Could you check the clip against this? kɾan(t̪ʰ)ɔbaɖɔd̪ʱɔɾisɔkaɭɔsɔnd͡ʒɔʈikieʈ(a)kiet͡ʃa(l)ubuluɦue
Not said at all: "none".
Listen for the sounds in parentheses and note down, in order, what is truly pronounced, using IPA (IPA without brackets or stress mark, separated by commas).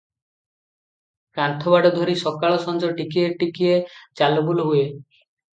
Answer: t̪ʰ, i, l